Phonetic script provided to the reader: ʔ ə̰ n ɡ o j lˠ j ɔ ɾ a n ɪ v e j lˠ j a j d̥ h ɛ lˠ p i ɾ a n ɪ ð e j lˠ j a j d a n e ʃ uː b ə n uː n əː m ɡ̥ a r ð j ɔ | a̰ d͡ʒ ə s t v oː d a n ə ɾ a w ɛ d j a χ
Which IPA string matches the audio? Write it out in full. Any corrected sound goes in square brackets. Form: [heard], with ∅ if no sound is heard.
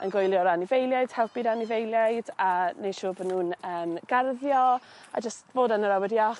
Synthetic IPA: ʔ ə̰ n ɡ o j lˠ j ɔ ɾ a n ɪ v e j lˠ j a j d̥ h ɛ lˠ p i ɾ a n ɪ [v] e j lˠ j a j d a n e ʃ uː b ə n uː n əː m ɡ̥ a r ð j ɔ | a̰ d͡ʒ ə s t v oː d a n ə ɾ a w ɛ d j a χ